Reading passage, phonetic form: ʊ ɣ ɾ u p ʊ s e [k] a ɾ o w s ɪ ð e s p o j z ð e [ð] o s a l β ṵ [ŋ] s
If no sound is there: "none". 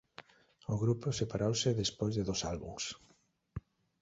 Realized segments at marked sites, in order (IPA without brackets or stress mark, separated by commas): p, ð, ŋ